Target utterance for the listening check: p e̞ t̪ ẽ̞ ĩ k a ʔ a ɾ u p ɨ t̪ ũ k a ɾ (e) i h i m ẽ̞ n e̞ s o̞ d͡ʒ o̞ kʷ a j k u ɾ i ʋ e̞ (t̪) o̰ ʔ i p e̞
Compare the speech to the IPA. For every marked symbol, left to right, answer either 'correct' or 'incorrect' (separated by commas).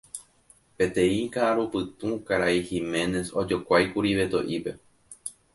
incorrect, correct